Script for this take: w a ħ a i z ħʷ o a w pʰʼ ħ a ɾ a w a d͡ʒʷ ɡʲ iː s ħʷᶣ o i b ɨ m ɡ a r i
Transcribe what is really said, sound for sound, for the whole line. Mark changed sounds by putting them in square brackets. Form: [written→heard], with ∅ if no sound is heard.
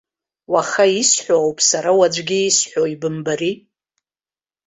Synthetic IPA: w a [ħ→χ] a i [z→s] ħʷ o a w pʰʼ [ħ→s] a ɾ a w a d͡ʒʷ ɡʲ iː s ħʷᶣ o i b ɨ m [ɡ→b] a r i